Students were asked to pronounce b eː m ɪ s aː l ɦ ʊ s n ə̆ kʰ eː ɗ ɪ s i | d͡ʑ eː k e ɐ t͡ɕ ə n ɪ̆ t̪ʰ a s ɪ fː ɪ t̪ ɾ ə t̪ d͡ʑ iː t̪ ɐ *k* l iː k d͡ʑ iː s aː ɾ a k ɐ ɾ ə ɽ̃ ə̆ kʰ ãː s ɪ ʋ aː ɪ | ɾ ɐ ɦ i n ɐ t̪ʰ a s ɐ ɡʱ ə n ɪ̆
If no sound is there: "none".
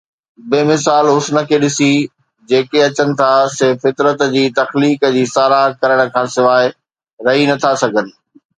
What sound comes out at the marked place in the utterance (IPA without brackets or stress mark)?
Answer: x